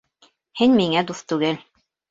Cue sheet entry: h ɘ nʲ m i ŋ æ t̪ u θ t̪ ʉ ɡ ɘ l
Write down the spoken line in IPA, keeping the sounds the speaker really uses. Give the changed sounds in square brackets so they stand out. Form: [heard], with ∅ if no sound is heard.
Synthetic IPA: h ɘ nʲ m i ŋ æ [d̪] u θ t̪ ʉ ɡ ɘ l